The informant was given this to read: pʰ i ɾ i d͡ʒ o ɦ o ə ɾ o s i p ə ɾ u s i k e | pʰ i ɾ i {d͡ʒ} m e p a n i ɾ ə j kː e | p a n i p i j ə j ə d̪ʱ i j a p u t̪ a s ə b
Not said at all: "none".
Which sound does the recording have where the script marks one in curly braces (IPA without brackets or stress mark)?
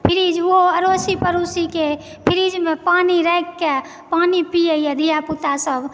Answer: d͡ʒ